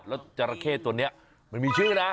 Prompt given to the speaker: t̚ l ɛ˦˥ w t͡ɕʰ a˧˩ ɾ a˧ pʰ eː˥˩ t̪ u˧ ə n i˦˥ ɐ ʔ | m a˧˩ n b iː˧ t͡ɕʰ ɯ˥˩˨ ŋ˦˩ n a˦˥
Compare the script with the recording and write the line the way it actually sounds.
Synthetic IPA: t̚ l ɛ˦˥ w t͡ɕ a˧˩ ɾ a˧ kʰ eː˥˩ t̪ u˧ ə n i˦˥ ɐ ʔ | m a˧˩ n m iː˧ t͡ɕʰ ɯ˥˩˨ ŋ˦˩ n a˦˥